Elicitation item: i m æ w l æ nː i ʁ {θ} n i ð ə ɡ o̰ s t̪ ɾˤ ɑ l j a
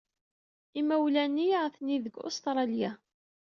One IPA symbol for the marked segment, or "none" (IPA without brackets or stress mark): θ